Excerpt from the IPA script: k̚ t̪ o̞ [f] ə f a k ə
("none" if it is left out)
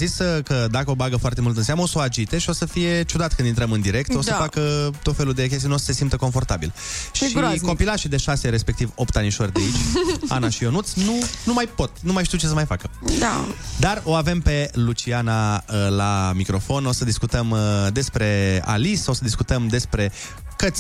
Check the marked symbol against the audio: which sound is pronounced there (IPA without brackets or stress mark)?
s